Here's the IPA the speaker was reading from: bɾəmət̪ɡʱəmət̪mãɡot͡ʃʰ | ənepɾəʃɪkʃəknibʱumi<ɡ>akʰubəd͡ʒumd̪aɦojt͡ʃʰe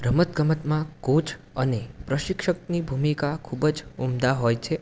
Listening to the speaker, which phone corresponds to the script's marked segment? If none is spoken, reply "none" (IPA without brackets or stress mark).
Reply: k